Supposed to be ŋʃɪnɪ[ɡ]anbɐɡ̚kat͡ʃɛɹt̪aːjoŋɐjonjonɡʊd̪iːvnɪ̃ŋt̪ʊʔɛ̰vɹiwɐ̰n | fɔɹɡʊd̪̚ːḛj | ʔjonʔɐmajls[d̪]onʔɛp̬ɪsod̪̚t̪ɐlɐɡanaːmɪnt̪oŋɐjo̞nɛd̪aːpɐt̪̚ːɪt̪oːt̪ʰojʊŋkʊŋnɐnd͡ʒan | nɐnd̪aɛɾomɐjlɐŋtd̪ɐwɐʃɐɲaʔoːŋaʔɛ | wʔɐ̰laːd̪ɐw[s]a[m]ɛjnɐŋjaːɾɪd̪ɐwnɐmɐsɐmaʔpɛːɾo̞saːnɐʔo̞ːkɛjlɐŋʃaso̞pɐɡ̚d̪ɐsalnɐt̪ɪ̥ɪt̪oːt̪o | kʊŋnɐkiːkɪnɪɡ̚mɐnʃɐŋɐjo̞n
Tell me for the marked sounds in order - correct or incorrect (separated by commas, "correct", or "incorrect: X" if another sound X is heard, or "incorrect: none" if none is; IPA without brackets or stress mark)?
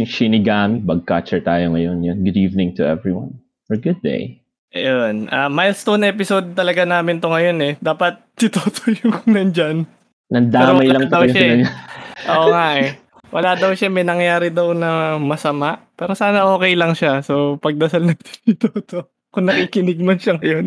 correct, incorrect: t̪, incorrect: ʃ, correct